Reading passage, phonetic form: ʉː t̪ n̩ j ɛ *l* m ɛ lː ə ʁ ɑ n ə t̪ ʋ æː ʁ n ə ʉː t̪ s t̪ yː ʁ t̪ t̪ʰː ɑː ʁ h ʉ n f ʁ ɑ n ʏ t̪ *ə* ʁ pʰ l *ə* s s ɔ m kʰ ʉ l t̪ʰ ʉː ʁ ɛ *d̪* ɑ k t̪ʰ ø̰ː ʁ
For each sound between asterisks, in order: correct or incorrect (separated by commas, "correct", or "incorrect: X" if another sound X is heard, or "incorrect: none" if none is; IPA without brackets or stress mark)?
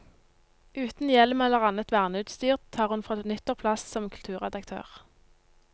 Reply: correct, correct, incorrect: ɑ, correct